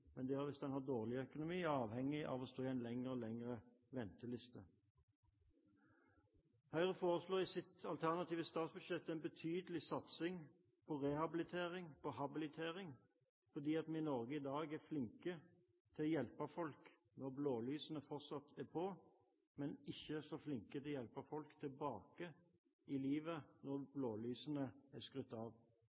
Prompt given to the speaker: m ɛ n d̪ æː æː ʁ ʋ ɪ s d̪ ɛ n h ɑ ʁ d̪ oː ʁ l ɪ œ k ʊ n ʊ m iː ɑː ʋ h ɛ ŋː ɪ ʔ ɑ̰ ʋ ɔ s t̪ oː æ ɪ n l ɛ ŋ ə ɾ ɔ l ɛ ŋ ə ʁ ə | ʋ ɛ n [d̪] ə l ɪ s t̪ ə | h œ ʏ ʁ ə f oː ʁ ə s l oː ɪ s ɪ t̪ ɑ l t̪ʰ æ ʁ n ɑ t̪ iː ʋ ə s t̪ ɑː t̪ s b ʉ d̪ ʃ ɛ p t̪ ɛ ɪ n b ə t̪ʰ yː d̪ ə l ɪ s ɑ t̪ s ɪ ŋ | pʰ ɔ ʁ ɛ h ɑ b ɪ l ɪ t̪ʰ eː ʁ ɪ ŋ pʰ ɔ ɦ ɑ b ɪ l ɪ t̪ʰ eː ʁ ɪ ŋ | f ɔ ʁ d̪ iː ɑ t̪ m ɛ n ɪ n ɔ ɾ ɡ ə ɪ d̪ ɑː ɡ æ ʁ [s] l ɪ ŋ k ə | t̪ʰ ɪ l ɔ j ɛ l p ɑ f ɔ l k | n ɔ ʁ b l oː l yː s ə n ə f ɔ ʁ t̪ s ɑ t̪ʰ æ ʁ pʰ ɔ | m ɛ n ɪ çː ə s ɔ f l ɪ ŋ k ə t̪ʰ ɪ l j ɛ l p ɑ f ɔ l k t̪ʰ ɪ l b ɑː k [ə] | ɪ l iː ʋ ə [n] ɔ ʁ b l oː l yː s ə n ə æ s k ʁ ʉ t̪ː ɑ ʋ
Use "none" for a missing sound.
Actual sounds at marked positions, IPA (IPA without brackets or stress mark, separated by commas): t̪, f, ə, n